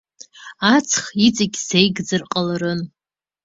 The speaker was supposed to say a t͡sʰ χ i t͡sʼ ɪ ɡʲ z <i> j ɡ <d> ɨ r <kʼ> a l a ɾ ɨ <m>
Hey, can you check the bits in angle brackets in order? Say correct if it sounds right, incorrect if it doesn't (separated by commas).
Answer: incorrect, incorrect, incorrect, incorrect